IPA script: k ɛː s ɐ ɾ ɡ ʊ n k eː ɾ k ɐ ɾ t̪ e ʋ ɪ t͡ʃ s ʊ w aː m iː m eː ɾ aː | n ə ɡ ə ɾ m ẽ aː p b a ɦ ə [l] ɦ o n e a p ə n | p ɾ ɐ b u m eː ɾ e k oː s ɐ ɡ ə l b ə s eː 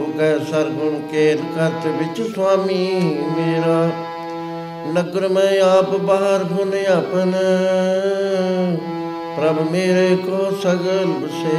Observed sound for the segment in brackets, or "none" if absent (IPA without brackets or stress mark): ɾ